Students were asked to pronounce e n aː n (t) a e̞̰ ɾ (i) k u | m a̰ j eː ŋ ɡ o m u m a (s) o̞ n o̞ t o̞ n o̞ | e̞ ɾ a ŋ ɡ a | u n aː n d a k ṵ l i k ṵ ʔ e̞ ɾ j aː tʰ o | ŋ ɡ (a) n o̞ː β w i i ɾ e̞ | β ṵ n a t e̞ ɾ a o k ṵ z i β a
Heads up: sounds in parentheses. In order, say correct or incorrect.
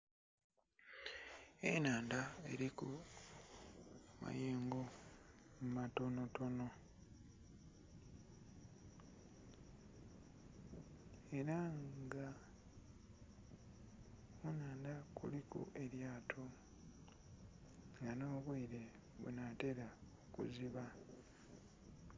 incorrect: d, correct, incorrect: t, correct

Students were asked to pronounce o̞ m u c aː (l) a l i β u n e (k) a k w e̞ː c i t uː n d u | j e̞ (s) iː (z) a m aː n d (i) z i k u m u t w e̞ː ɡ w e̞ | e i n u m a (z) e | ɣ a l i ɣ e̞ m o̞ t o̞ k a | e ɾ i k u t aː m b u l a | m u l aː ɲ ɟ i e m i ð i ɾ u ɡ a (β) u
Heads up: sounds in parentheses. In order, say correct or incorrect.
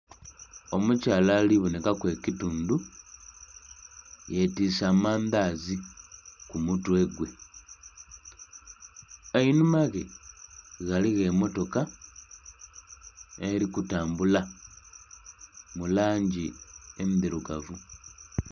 correct, correct, incorrect: t, incorrect: s, incorrect: a, incorrect: ɣ, incorrect: v

